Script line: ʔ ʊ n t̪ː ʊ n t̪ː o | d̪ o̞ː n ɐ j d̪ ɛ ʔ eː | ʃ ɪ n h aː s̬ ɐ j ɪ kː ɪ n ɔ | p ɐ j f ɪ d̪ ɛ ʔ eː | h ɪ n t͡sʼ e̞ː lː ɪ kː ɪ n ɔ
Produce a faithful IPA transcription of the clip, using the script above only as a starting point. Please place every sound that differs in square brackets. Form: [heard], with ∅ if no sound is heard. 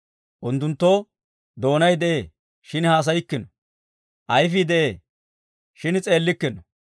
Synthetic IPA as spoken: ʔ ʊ n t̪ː ʊ n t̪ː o | d̪ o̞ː n ɐ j d̪ ɛ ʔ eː | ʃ ɪ n h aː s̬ ɐ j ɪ kː ɪ n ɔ | [ʔ] ɐ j f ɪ d̪ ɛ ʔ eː | [ʃ] ɪ n t͡sʼ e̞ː lː ɪ kː ɪ n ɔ